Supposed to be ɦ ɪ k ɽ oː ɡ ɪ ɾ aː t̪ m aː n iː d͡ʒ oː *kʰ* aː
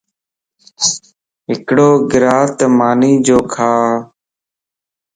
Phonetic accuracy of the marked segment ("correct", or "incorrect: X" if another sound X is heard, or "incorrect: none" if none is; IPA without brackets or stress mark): correct